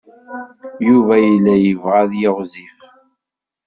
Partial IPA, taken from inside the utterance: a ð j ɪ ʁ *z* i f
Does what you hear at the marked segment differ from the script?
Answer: no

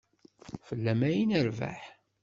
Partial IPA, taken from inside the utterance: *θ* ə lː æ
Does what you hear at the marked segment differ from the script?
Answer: yes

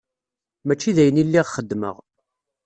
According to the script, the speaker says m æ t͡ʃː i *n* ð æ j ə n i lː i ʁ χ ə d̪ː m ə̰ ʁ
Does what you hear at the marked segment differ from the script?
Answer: yes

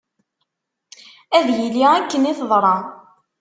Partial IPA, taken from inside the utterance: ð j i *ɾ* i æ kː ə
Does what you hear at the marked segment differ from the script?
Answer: yes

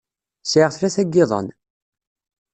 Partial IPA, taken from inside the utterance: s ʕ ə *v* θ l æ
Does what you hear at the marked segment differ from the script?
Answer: yes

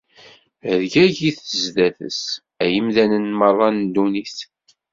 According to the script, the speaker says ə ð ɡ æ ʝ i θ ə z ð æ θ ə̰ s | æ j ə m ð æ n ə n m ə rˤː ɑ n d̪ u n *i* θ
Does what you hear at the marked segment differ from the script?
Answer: no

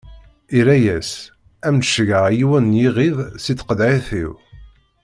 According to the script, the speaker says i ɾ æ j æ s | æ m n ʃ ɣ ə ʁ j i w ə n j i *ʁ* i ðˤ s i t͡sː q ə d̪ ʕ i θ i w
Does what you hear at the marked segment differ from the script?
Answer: no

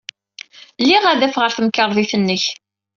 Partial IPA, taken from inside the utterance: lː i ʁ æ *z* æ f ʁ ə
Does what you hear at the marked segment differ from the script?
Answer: yes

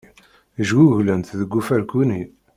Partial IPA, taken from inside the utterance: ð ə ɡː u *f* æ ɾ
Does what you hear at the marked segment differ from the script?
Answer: no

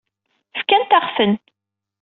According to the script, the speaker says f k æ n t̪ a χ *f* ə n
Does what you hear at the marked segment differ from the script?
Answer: no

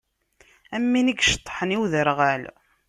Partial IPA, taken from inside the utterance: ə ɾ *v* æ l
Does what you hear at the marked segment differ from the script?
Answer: yes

